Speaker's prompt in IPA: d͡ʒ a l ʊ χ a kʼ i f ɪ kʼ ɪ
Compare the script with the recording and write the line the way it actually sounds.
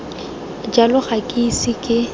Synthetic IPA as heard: d͡ʒ a l ʊ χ a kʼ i s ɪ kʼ ɪ